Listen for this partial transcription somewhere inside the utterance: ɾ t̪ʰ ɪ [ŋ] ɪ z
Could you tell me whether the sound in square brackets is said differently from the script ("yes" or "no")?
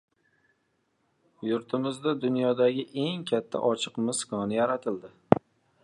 yes